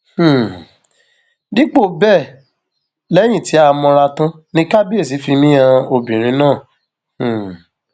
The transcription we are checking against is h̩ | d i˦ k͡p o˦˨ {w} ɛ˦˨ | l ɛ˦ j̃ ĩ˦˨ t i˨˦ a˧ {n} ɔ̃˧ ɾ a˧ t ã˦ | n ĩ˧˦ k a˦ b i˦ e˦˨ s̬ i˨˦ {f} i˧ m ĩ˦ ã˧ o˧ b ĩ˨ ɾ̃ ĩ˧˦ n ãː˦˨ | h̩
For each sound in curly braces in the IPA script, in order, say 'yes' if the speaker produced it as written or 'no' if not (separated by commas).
no, no, yes